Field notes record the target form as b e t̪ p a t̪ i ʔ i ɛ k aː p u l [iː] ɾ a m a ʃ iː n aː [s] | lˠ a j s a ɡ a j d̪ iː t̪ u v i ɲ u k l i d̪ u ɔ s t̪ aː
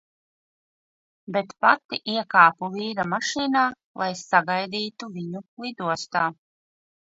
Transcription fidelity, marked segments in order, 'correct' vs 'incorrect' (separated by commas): correct, incorrect